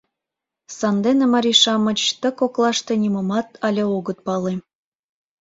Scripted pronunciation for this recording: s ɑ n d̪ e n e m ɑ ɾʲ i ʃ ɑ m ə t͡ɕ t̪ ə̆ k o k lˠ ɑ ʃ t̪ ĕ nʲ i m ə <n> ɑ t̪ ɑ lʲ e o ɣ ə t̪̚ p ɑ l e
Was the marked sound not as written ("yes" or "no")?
yes